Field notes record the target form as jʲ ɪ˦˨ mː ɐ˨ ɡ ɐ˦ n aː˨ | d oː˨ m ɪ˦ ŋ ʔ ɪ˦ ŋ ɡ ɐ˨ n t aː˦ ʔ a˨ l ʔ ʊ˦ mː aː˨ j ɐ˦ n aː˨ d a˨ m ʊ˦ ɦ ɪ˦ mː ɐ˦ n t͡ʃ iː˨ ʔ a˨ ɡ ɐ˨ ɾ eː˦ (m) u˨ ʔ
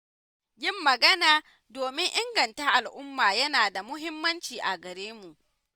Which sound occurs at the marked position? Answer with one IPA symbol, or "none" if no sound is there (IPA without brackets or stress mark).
m